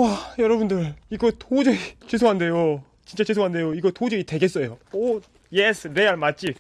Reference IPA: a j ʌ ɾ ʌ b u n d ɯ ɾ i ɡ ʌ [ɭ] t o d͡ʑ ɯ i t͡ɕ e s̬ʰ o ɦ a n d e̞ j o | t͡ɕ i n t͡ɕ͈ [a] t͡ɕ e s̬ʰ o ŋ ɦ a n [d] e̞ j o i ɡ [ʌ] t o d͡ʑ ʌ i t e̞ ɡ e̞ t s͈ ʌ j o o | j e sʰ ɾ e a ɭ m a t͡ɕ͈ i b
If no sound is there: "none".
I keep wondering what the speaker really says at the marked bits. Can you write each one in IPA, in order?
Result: none, a, d, ʌ

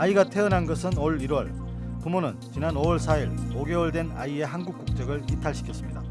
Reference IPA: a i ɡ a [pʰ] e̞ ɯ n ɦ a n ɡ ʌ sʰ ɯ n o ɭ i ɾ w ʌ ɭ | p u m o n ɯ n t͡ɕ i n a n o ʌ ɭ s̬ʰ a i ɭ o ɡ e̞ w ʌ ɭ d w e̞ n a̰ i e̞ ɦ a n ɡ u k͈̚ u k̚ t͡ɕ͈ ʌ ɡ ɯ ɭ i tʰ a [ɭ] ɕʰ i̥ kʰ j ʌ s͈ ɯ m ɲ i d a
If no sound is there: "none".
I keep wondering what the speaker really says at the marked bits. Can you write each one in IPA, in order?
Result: tʰ, ɭ

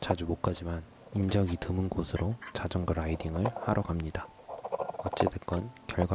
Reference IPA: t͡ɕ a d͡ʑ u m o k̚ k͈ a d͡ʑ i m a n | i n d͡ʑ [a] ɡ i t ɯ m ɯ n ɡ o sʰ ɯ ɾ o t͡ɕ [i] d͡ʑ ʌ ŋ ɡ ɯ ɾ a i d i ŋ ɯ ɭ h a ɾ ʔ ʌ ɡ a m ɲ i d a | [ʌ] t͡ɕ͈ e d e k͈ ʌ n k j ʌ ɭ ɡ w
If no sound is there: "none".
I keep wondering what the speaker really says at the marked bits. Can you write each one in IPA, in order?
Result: ʌ, a, ʌ

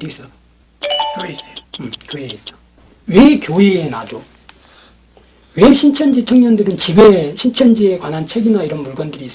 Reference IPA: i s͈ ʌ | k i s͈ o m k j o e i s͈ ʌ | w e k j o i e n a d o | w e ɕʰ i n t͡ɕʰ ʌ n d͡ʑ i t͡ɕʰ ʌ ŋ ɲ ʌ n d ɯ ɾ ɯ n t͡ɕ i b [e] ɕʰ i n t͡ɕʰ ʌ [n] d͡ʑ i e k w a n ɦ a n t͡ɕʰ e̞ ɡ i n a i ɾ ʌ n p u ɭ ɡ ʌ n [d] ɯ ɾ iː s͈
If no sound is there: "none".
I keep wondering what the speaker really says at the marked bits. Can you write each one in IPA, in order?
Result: e, n, d

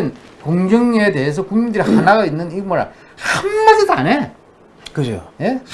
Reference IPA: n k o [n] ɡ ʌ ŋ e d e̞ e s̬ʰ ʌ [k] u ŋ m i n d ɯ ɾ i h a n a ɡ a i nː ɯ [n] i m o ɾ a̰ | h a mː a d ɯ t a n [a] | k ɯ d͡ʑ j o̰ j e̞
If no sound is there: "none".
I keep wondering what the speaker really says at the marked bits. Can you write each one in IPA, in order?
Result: ŋ, k, n, e

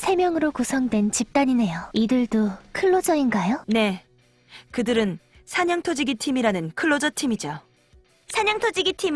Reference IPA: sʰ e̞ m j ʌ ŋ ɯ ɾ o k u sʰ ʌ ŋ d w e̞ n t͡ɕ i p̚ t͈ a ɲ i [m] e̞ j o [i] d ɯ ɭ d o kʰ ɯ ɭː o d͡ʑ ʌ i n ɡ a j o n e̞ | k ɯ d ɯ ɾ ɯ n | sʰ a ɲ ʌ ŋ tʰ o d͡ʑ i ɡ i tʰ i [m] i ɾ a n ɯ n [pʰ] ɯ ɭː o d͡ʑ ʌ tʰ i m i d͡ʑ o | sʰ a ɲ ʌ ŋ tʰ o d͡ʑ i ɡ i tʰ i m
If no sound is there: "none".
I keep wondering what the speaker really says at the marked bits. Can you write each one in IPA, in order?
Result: n, i, m, kʰ

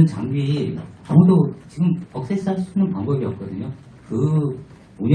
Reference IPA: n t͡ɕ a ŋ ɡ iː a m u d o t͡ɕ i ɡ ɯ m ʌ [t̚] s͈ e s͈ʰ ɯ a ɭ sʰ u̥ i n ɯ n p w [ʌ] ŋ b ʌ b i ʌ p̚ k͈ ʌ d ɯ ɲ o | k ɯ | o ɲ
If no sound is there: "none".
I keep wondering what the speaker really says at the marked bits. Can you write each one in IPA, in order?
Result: k̚, a

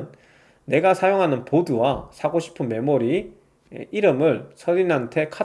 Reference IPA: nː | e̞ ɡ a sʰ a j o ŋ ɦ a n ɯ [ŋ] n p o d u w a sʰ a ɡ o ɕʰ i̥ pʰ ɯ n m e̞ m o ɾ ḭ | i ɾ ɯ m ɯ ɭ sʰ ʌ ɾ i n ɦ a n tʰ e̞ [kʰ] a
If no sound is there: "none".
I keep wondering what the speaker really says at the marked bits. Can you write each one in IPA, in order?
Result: none, kʰ

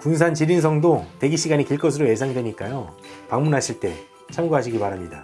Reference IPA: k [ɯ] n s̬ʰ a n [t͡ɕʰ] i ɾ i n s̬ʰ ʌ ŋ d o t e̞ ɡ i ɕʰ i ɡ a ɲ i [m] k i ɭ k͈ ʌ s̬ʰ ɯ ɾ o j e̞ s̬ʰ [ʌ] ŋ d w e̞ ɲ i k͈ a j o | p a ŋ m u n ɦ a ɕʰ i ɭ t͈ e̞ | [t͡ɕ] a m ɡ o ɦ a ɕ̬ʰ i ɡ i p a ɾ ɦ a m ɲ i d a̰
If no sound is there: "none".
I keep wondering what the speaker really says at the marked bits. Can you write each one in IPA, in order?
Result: u, t͡ɕ, none, a, t͡ɕʰ

